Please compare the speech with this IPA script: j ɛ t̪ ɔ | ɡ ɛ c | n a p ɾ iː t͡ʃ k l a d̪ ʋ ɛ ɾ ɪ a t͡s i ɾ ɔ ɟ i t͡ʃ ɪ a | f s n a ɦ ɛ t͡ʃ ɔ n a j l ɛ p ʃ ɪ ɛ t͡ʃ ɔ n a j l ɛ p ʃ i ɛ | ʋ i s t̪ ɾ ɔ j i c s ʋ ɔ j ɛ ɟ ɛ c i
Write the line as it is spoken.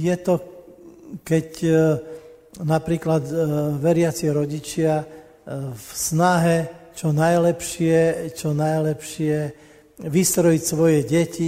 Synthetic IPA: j ɛ t̪ ɔ | k ɛ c | n a p ɾ iː k l a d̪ ʋ ɛ ɾ ɪ a t͡s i ɾ ɔ ɟ i t͡ʃ ɪ a | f s n a ɦ ɛ t͡ʃ ɔ n a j l ɛ p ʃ ɪ ɛ t͡ʃ ɔ n a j l ɛ p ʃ ɪ ɛ | ʋ i s t̪ ɾ ɔ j i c s ʋ ɔ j ɛ ɟ ɛ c i